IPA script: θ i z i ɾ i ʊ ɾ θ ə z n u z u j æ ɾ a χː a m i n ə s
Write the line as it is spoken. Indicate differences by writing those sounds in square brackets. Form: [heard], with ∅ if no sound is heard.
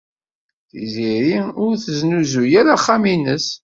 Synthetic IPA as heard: θ i z i ɾ i ʊ ɾ θ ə z n u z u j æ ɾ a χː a m i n ə s